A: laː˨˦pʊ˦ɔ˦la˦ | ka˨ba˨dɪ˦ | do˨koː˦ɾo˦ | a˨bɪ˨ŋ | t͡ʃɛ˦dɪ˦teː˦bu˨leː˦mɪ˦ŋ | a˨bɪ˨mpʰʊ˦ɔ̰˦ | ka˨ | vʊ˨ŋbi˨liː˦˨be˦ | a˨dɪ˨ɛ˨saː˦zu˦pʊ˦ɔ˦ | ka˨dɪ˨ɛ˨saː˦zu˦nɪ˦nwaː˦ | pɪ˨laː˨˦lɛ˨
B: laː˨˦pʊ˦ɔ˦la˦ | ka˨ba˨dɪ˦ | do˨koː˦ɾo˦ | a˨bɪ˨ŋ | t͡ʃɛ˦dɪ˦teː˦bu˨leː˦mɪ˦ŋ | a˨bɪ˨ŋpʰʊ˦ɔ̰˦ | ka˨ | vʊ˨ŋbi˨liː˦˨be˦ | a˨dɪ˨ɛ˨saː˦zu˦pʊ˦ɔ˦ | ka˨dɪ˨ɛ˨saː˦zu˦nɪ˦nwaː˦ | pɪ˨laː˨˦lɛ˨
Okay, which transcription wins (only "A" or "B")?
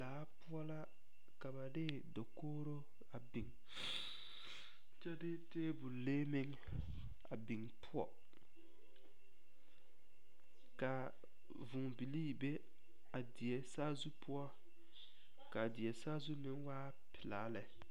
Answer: B